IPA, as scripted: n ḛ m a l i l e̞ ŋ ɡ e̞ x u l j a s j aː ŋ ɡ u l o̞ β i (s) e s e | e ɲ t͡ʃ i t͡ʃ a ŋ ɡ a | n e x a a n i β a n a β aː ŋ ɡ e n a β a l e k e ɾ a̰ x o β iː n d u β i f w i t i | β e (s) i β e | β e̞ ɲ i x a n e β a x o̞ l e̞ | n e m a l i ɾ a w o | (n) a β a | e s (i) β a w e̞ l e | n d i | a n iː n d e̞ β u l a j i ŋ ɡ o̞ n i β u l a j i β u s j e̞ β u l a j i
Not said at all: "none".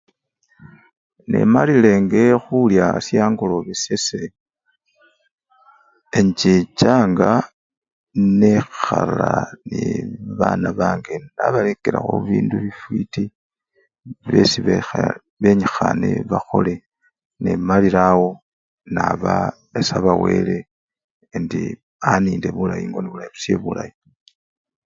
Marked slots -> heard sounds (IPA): s, s, n, a

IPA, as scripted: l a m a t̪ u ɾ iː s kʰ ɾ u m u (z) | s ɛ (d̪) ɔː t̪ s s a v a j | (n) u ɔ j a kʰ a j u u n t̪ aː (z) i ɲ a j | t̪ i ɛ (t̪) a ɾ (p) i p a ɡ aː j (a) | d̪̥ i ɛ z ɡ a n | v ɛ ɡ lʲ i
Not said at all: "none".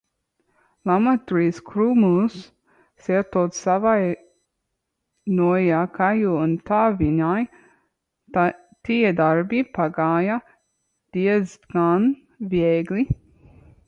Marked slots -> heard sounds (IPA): s, t̪, n, v, d̪, b, a

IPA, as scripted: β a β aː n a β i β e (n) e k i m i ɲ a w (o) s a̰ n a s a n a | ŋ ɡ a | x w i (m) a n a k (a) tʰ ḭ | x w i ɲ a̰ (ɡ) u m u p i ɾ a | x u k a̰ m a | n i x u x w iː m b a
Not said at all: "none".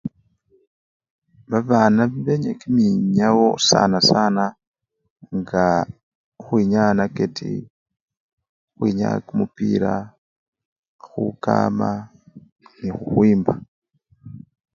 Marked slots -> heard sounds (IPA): ɲ, o, ɲ, e, k

